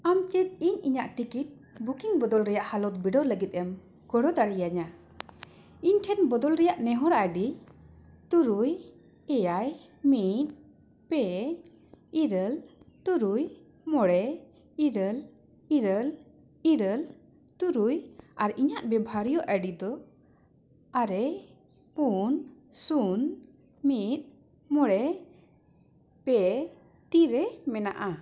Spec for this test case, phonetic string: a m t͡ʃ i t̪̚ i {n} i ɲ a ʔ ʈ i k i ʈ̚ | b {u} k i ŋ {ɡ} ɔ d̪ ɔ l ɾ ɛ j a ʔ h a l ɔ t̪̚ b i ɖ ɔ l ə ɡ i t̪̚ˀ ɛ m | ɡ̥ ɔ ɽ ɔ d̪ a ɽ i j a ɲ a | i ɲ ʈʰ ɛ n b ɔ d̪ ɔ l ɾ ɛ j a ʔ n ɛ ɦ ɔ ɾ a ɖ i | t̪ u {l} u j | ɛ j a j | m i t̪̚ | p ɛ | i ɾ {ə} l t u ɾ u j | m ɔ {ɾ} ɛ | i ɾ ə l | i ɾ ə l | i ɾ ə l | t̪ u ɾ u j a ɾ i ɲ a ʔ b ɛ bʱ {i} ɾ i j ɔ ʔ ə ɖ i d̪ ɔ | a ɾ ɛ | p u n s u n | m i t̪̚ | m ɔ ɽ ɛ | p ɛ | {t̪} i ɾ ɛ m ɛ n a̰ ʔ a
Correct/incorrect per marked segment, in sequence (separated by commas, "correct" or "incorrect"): incorrect, correct, incorrect, incorrect, correct, incorrect, incorrect, correct